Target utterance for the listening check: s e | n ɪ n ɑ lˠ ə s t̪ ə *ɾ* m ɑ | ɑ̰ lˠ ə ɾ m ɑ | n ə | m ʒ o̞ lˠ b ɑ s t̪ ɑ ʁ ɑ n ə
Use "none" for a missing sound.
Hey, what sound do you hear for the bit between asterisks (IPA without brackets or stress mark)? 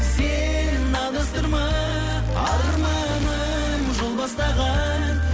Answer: ɾ